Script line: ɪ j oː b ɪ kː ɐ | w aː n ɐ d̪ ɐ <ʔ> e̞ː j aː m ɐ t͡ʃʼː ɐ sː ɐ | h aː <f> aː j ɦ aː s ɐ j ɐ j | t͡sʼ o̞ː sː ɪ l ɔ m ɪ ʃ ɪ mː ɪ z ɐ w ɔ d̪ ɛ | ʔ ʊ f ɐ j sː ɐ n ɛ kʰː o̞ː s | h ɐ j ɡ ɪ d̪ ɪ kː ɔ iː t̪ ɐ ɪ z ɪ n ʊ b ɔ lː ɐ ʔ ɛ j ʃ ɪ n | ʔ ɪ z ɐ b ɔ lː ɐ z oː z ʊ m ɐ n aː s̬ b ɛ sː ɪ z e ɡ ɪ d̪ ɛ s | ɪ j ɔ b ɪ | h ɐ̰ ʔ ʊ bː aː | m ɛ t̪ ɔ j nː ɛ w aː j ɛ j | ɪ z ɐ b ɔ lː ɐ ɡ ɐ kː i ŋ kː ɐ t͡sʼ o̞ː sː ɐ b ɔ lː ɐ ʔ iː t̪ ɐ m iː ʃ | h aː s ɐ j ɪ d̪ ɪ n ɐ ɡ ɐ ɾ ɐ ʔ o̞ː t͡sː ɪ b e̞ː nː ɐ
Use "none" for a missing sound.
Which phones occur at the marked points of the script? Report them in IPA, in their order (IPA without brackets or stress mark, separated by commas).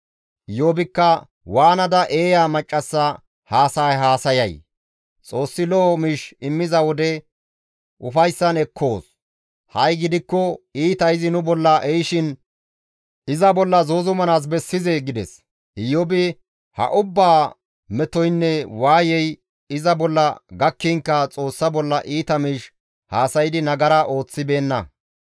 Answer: ʔ, s